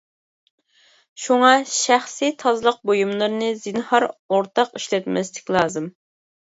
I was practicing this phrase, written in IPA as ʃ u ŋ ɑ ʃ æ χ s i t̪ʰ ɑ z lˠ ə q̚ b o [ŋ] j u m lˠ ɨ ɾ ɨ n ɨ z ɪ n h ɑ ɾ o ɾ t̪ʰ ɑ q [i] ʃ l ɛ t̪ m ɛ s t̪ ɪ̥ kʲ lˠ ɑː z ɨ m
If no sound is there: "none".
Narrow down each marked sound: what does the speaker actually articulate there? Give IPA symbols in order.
none, i

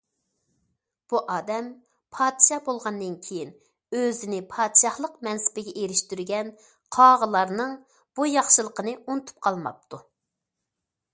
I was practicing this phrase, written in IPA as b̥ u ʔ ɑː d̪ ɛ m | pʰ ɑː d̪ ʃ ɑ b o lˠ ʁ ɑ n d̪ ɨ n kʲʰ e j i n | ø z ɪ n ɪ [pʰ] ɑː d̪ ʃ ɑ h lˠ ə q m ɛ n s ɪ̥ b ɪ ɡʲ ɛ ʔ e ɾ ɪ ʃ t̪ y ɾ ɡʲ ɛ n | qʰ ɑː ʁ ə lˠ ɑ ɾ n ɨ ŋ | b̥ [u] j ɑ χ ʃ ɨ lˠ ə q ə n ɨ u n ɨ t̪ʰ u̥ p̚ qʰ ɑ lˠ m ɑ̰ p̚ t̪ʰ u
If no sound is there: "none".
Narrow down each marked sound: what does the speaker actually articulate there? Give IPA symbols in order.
pʰ, u

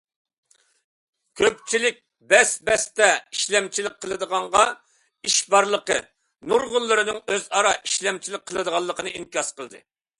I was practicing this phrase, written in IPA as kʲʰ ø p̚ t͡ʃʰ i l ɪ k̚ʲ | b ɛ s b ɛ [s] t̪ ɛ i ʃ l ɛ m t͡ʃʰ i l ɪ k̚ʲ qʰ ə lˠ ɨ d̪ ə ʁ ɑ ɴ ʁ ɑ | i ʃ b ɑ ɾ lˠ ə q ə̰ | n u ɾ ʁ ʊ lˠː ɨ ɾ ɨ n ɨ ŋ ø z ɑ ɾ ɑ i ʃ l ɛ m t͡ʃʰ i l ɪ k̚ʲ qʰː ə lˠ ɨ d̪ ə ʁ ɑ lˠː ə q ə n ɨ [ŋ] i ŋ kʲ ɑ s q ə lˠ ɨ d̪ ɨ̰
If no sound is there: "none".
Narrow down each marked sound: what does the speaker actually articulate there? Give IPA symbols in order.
s, none

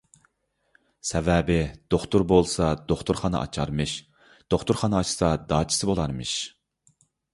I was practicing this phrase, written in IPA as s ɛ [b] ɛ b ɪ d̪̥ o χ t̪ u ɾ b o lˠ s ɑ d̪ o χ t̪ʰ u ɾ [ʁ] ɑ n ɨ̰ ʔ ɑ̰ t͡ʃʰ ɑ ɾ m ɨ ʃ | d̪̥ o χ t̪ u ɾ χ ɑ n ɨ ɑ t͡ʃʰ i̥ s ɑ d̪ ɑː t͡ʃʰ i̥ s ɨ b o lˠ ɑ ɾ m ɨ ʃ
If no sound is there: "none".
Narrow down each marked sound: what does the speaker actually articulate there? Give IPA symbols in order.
v, χ

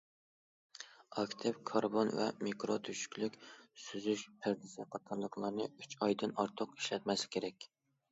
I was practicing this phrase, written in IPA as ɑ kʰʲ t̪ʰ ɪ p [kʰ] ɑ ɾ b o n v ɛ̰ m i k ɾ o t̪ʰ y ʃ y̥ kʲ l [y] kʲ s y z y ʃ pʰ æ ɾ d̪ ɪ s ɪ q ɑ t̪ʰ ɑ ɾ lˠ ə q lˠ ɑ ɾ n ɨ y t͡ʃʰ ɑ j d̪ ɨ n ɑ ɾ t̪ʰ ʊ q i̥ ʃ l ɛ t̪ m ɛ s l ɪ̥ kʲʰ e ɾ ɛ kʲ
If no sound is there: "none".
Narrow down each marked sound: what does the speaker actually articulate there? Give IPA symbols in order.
kʰ, y

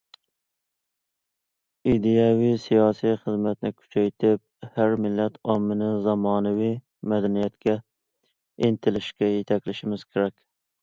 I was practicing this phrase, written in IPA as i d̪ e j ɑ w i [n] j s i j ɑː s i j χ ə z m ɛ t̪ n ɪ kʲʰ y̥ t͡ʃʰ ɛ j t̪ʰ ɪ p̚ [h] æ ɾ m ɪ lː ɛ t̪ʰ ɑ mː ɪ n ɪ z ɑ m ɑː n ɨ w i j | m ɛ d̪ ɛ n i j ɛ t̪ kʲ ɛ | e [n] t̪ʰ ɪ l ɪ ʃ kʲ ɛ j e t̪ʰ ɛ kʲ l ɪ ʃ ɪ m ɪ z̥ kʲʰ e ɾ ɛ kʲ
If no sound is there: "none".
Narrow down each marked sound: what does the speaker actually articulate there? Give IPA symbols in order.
none, h, n

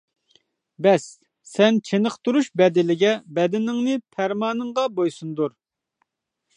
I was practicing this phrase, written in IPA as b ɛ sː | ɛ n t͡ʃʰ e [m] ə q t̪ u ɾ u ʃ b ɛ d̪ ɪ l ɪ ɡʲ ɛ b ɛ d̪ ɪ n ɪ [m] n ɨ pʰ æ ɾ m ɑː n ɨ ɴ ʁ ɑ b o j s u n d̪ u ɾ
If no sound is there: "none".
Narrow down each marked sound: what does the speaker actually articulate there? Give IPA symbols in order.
n, ŋ

